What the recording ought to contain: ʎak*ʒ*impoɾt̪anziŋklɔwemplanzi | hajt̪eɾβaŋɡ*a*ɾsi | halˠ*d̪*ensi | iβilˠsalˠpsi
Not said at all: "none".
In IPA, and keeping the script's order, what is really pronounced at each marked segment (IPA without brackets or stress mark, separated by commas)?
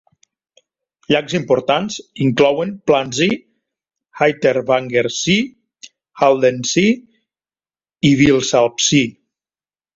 z, e, d̪